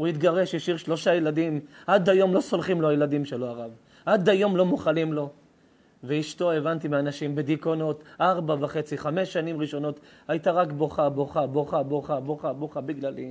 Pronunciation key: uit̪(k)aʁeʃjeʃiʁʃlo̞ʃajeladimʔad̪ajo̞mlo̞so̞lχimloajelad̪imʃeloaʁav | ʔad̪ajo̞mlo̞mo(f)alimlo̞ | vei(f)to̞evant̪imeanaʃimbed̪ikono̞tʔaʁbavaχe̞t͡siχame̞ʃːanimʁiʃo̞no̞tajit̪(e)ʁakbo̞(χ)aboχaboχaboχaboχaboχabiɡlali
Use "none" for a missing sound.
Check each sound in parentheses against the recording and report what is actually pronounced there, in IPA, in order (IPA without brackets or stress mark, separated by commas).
ɡ, χ, ʃ, a, χ